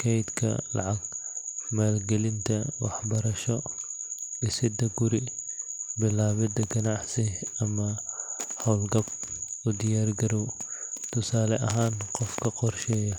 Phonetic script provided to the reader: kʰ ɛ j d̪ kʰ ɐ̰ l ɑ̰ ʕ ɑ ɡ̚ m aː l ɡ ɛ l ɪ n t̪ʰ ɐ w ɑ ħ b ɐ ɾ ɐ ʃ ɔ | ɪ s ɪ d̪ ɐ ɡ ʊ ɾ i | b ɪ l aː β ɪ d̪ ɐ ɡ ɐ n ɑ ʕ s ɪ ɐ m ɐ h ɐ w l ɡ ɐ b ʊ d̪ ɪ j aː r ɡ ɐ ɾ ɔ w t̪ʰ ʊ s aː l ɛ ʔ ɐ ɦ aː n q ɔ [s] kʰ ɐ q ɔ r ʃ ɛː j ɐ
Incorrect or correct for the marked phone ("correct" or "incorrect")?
incorrect